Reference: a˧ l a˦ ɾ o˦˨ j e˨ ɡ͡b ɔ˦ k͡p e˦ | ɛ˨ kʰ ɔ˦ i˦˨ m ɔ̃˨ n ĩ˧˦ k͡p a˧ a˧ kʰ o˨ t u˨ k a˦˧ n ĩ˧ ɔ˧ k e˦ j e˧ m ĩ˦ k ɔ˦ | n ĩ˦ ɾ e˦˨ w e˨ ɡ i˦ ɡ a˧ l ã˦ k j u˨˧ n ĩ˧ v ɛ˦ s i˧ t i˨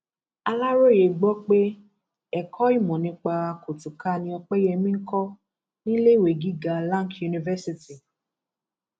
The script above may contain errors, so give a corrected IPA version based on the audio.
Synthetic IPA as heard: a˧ l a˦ ɾ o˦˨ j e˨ ɡ͡b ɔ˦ k͡p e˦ | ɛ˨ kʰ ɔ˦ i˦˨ m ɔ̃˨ n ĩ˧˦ k͡p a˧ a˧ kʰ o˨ t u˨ k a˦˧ n ĩ˧ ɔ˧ k͡p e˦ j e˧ m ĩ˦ k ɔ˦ | n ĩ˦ l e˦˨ w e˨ ɡ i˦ ɡ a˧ l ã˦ k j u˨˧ n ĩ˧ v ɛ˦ s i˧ t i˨

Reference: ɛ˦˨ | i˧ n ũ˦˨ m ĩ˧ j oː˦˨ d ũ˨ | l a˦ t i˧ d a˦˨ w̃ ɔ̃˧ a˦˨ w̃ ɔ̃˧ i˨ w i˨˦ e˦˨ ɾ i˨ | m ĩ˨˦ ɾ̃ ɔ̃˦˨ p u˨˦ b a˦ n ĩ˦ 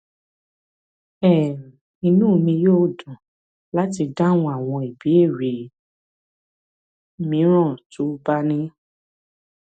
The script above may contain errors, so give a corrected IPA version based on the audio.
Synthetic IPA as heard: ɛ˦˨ | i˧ n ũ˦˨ m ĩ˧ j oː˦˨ d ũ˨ | l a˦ t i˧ d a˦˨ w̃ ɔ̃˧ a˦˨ w̃ ɔ̃˧ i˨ b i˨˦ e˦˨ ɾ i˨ | m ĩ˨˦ ɾ̃ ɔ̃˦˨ t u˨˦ b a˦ n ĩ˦

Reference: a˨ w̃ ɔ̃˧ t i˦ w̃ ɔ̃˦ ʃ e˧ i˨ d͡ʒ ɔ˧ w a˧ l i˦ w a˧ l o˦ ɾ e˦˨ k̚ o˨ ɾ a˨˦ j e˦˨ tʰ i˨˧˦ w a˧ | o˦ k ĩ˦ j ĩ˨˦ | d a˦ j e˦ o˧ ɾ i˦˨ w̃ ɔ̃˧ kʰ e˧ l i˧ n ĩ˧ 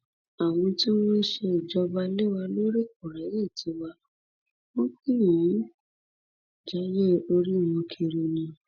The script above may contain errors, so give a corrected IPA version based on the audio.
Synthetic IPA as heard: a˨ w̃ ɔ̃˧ t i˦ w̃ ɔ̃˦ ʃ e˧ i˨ d͡ʒ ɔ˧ b a˧ l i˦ w a˧ l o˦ ɾ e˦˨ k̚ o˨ ɾ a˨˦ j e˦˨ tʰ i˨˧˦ w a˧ | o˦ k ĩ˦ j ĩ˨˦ | d͡ʒ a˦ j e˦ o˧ ɾ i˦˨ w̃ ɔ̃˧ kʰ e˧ ɾ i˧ n ĩ˧

